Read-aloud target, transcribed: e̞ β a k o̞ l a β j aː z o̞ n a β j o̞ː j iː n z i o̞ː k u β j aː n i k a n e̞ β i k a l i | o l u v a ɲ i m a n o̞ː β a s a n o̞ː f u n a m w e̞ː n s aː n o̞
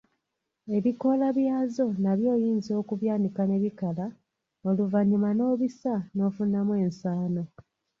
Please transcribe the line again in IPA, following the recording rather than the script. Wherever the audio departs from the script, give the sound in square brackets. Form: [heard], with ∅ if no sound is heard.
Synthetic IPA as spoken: e̞ β [i] k o̞ l a β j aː z o̞ n a β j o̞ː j iː n z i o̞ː k u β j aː n i k a n e̞ β i k a l [a] | o l u v a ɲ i m a n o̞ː β [i] s a n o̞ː f u n a m w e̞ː n s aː n o̞